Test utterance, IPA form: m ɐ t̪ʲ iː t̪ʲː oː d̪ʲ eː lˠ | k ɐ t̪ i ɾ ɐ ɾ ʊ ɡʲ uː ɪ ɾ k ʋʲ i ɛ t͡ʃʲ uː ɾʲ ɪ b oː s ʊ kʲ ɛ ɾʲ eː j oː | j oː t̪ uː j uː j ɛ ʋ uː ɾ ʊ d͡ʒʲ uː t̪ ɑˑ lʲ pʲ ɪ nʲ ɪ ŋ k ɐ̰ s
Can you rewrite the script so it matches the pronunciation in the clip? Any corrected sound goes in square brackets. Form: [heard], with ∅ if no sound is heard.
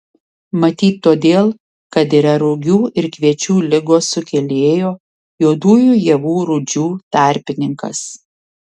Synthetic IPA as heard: m ɐ t̪ʲ iː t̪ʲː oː d̪ʲ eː lˠ | k ɐ t̪ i ɾ ɐ ɾ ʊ ɡʲ uː ɪ ɾ k ʋʲ i ɛ t͡ʃʲ uː [lʲ] ɪ [ɡ] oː s ʊ kʲ ɛ [lʲ] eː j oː | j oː [d̪] uː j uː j ɛ ʋ uː ɾ ʊ d͡ʒʲ uː t̪ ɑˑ [ɾʲ] pʲ ɪ nʲ ɪ ŋ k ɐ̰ s